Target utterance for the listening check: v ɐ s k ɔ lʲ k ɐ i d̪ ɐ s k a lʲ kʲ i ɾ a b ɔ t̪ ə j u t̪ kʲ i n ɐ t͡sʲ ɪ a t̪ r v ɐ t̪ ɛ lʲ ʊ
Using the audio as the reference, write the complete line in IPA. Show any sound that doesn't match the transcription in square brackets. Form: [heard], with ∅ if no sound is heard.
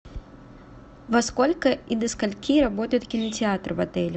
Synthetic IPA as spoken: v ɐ s k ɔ lʲ k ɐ i d̪ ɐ s k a lʲ kʲ i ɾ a b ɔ t̪ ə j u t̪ kʲ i n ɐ t͡sʲ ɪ a t̪ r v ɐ t̪ ɛ lʲ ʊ